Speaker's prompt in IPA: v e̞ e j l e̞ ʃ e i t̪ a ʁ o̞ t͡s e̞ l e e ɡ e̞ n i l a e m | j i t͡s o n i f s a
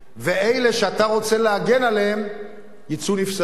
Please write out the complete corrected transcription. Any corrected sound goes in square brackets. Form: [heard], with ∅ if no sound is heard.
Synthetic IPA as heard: v e̞ e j l e̞ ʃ e [a] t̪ a ʁ o̞ t͡s e̞ l e [a] ɡ e̞ n [a] l [e] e m | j i t͡s [u] n i f s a